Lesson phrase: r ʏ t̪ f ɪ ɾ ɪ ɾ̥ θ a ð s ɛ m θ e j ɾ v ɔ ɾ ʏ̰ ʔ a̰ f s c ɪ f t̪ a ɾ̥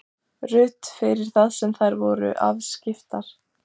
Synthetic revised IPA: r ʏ t̪ f ɪ ɾ ɪ ɾ̥ θ a ð s ɛ m θ a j ɾ v ɔ ɾ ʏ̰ ʔ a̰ v s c ɪ f t̪ a ɾ̥